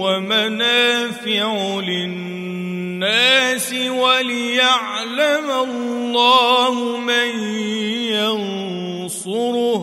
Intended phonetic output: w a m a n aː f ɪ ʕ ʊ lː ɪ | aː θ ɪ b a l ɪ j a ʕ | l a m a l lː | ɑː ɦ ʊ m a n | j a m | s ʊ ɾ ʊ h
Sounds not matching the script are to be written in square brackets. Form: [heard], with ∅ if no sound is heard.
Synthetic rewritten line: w a m a n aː f ɪ ʕ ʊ [l] ɪ | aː [s] ɪ [w] a l ɪ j a ʕ | l a m a l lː | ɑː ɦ ʊ m a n | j a [n] | s ʊ ɾ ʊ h